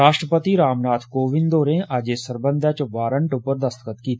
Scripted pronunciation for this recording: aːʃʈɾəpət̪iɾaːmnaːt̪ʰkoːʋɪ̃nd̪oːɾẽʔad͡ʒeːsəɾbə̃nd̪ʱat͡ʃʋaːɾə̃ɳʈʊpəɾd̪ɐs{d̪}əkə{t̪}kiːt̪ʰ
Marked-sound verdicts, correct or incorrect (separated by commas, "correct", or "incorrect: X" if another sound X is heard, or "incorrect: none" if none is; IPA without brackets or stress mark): incorrect: t̪, correct